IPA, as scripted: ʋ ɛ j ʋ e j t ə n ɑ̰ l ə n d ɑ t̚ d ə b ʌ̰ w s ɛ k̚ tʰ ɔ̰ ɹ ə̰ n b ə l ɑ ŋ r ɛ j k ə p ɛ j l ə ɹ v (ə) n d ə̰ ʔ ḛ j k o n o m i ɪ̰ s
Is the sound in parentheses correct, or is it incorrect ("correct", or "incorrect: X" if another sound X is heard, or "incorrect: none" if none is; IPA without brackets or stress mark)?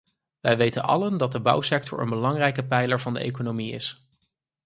incorrect: ɑ